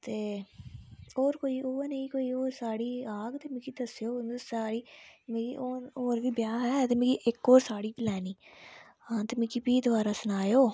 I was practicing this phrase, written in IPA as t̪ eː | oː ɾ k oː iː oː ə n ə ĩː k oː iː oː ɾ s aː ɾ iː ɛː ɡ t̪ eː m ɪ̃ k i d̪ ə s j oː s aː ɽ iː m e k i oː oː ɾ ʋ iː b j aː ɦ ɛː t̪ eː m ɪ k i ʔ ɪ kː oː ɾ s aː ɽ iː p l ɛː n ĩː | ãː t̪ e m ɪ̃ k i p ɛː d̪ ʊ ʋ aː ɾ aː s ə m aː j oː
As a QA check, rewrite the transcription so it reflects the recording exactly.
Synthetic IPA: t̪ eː | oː ɾ k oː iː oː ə n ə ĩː k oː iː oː ɾ s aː ɽ iː aː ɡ t̪ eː m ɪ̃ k i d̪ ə s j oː s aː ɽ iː m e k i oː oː ɾ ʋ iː b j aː ɦ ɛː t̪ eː m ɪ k i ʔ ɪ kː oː ɾ s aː ɽ iː p l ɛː n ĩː | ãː t̪ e m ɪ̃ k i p iː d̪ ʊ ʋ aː ɾ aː s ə n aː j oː